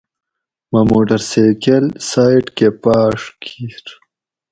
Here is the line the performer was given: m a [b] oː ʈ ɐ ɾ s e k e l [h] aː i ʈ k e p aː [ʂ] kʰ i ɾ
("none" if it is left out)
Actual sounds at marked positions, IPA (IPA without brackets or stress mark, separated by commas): m, s, ʂ